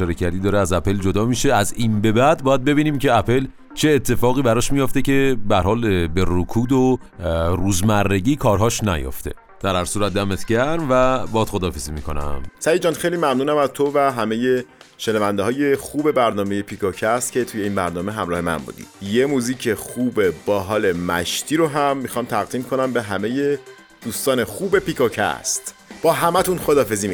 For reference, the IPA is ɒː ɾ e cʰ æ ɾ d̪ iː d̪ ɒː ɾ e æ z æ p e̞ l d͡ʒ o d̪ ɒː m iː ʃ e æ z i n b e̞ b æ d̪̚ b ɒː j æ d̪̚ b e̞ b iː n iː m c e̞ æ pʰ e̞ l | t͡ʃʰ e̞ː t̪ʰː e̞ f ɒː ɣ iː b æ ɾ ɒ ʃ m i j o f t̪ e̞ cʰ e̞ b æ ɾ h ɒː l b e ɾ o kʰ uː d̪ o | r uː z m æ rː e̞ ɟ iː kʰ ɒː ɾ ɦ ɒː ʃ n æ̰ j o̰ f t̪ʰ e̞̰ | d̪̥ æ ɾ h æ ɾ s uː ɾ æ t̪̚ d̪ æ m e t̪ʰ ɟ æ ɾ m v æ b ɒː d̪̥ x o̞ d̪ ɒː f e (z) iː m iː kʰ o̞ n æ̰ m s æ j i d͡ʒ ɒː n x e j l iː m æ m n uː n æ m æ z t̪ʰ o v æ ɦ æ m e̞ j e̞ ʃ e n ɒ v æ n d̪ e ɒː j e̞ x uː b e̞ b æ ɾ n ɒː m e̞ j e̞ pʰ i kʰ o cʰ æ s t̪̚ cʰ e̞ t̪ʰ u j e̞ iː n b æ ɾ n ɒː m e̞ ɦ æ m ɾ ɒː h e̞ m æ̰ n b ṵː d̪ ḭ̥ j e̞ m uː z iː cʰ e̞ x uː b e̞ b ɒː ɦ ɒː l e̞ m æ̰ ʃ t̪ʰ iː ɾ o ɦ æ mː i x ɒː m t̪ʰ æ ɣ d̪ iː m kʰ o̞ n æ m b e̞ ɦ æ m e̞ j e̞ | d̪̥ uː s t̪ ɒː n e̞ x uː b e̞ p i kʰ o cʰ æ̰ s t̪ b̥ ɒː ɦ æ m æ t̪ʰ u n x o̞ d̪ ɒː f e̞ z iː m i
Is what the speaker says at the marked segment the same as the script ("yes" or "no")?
yes